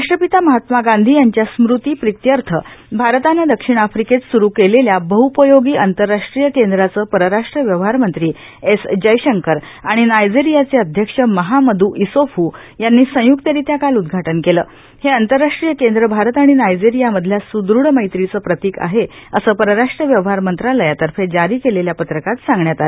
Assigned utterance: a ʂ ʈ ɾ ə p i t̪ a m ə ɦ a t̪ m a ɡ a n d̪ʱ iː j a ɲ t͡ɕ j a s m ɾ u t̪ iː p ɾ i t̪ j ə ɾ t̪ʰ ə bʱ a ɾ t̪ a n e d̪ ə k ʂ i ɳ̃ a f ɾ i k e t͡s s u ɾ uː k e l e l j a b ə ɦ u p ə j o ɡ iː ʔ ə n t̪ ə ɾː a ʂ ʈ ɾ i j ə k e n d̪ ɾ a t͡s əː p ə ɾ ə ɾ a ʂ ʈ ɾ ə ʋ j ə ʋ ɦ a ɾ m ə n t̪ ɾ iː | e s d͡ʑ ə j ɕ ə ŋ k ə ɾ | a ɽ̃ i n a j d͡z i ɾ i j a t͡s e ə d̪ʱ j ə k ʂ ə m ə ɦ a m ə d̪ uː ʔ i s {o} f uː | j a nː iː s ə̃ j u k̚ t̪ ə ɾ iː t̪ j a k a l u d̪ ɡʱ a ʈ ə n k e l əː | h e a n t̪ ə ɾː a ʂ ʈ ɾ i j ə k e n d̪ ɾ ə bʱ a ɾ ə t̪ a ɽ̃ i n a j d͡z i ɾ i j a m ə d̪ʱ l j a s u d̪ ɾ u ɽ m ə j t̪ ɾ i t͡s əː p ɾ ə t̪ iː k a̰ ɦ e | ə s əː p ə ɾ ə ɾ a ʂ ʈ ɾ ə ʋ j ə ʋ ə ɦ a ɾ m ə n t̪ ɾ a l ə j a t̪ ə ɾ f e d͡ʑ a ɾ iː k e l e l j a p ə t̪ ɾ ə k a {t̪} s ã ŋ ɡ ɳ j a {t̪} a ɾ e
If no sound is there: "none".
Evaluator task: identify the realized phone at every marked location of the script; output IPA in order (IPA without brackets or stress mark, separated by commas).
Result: o, t̪, t̪